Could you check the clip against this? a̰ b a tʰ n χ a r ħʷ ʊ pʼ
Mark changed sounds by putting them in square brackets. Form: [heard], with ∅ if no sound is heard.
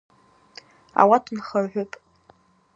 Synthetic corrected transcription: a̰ [w] a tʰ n χ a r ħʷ ʊ pʼ

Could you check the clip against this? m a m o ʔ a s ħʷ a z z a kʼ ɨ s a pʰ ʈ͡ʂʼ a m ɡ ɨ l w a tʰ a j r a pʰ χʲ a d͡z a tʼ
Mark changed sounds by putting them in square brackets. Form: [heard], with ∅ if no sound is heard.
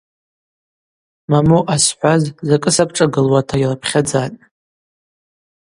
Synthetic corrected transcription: m a m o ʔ a s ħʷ a z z a kʼ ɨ s a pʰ ʈ͡ʂʼ a [∅] ɡ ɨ l w a tʰ a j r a pʰ χʲ a d͡z a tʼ

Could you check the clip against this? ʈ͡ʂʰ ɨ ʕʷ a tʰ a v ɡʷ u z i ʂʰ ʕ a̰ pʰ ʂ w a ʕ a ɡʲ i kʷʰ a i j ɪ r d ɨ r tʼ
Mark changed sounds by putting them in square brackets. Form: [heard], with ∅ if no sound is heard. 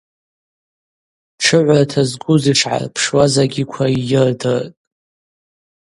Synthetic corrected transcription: ʈ͡ʂʰ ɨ ʕʷ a tʰ a [z] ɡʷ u z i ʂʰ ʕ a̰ pʰ ʂ w a [z] a ɡʲ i kʷʰ a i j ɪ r d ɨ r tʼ

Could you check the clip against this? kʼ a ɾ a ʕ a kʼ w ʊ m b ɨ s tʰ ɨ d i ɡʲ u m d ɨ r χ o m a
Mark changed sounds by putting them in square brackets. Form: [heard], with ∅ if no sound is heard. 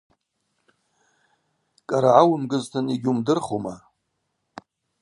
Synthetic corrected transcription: kʼ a ɾ a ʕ a [∅] w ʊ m [ɡ] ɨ [z] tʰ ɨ [n] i ɡʲ u m d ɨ r χ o m a

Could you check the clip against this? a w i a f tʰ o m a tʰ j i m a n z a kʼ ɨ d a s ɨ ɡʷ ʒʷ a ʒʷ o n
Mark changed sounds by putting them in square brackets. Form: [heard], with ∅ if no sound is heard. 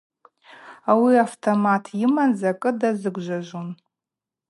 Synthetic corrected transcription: a w i a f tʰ o m a tʰ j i m a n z a kʼ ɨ d a [z] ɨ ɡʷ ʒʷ a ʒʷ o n

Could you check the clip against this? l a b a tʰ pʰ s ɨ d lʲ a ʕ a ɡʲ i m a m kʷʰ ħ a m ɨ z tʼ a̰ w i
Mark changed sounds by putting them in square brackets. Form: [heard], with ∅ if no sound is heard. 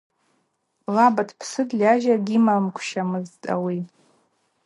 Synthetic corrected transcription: l a b a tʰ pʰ s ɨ d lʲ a [ʒ] a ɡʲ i m a m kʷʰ [ʃ] a m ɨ z tʼ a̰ w i

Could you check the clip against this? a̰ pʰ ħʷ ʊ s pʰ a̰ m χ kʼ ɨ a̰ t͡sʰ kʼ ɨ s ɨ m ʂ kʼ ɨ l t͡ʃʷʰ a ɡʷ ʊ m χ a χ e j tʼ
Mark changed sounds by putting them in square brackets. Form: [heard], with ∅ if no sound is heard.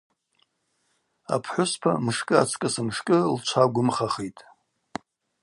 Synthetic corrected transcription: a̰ pʰ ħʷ ʊ s pʰ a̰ m [ʂ] kʼ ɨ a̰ t͡sʰ kʼ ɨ s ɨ m ʂ kʼ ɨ l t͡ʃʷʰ a ɡʷ ʊ m χ a χ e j tʼ

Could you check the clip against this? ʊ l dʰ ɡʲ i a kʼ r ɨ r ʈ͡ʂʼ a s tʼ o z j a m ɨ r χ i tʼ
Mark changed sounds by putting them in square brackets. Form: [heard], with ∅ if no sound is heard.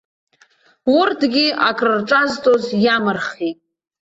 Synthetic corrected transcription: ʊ [r] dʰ ɡʲ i a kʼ r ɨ r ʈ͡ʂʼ a [z] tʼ o z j a m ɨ r χ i tʼ

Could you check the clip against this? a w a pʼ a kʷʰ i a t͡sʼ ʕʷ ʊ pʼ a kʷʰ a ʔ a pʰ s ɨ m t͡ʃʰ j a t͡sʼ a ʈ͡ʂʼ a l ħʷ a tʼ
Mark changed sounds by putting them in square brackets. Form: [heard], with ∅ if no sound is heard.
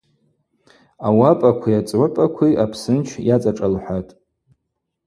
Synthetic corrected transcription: a w a pʼ a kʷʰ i a t͡sʼ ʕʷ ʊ pʼ a kʷʰ [i] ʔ a pʰ s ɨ [n] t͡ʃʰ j a t͡sʼ a ʈ͡ʂʼ a l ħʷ a tʼ

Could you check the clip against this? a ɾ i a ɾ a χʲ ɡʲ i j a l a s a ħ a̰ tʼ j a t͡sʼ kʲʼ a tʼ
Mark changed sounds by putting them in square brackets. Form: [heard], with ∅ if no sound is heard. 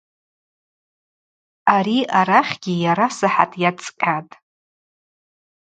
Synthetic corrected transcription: a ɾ i a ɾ a χʲ ɡʲ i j a [ɾ] a s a ħ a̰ tʼ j a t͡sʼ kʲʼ a tʼ

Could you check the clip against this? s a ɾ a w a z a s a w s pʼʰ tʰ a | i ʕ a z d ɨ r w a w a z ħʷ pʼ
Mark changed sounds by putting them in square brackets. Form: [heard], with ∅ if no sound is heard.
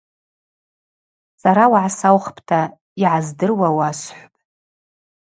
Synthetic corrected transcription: s a ɾ a w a [ʕ] a s a w [χ] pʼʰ tʰ a | i ʕ a z d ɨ r w a w a [s] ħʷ pʼ

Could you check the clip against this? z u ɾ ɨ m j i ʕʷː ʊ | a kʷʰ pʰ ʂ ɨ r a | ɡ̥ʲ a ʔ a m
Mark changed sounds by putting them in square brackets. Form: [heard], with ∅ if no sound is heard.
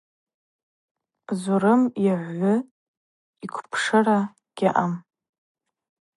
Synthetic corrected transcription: z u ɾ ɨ m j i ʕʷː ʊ | [i] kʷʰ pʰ ʂ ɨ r a | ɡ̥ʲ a ʔ a m

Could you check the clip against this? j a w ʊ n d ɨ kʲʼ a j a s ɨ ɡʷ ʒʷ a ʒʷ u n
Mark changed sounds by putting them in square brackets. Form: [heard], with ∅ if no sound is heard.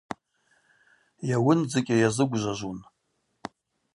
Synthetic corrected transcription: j a w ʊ n [d͡z] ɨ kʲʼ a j a [z] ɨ ɡʷ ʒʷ a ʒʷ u n

